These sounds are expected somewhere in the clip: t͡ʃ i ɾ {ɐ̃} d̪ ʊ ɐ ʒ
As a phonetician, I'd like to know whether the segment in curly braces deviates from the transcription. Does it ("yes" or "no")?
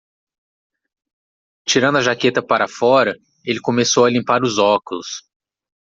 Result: no